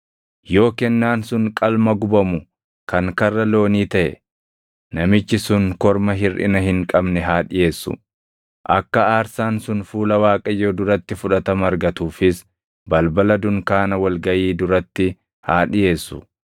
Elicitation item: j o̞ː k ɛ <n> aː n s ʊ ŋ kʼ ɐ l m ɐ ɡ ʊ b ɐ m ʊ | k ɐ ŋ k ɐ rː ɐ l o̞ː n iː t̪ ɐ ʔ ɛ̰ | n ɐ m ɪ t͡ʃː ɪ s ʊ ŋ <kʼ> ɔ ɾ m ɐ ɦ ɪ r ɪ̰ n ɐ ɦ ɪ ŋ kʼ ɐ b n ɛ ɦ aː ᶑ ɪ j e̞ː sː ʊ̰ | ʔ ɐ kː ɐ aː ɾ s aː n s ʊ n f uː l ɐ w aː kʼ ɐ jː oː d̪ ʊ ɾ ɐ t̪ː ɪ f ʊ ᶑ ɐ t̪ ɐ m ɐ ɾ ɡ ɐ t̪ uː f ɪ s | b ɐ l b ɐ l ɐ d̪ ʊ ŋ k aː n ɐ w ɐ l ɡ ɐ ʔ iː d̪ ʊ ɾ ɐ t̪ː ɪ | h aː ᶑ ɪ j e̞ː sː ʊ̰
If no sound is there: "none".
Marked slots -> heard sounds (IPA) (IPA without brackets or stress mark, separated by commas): nː, k